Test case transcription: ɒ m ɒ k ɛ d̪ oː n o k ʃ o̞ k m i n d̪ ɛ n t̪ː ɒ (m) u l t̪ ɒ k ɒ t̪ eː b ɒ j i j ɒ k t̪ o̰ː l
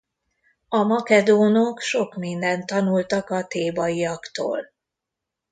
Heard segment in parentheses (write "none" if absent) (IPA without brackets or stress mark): n